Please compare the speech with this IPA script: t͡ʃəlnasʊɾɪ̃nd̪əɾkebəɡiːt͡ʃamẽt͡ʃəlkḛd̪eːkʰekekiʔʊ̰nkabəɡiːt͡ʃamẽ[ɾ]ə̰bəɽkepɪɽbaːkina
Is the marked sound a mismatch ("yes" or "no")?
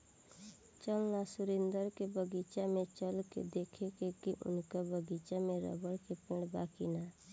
no